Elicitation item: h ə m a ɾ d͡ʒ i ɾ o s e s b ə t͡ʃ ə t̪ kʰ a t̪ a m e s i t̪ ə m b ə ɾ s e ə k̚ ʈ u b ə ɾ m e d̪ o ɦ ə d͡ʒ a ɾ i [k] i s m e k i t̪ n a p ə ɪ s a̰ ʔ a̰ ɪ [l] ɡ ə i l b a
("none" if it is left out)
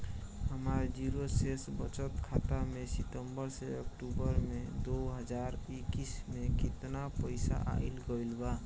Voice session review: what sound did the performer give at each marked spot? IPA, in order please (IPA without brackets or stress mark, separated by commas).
k, l